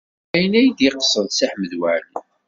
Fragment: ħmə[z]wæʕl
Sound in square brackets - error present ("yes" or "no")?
yes